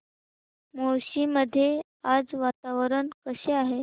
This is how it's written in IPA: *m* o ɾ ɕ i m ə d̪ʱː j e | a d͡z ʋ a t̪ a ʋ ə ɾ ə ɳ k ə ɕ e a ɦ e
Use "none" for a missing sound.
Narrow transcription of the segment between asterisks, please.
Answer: m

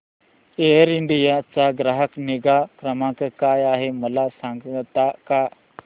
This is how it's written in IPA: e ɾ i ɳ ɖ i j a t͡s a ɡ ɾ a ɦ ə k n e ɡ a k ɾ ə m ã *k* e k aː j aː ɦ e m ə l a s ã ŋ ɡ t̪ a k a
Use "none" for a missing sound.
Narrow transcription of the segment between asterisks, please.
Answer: k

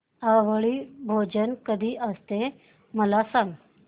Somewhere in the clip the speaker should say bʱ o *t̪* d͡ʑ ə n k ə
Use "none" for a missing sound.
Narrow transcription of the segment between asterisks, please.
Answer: none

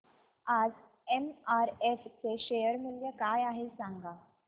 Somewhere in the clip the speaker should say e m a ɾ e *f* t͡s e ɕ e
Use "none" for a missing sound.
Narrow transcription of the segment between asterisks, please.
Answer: f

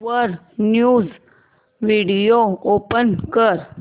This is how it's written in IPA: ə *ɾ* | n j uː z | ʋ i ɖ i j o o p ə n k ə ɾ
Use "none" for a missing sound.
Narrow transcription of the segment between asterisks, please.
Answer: ɾ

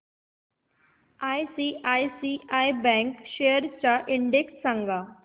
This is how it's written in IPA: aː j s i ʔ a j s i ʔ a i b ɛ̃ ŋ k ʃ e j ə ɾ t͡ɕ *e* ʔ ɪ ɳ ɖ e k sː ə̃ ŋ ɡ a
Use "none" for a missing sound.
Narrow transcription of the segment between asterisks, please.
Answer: a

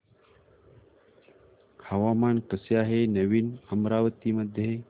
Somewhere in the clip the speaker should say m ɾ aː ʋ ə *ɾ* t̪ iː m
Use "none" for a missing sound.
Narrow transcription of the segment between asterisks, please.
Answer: none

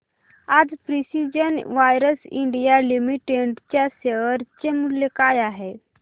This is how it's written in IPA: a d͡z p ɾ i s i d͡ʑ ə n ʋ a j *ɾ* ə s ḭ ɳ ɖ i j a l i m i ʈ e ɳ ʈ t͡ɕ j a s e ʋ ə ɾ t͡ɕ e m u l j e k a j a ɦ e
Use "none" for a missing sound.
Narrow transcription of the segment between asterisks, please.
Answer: ɾ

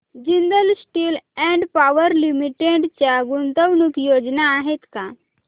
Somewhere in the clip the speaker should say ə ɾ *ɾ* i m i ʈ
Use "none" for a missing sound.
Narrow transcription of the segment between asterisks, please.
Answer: l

